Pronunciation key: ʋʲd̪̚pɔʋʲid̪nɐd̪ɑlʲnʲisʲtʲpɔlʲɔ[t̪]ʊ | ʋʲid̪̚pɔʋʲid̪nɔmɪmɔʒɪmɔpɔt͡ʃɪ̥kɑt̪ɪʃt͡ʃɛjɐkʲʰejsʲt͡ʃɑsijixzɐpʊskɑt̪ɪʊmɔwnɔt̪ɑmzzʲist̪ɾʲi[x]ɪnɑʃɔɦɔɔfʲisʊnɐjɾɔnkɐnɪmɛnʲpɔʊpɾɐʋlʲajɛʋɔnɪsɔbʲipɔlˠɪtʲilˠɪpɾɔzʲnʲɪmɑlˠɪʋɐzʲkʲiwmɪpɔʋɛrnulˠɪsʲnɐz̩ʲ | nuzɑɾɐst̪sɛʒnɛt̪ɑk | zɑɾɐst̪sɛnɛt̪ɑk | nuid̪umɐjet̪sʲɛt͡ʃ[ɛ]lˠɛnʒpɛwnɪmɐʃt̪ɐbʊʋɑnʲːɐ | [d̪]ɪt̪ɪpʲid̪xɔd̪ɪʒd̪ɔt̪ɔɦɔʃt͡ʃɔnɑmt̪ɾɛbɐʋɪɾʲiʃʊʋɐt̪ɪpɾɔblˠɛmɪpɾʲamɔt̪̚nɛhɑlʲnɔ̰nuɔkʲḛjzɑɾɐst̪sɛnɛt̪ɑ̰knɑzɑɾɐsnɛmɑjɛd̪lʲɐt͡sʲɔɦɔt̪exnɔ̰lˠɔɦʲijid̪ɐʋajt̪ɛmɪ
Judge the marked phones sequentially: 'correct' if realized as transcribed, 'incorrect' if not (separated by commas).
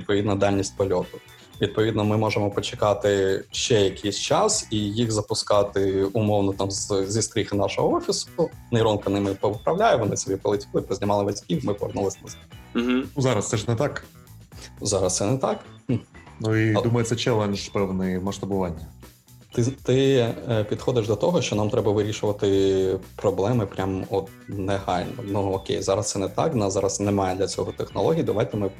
correct, correct, correct, incorrect